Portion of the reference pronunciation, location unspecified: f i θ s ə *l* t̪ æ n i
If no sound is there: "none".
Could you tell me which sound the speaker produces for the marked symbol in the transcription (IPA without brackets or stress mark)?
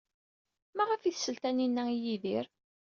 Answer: l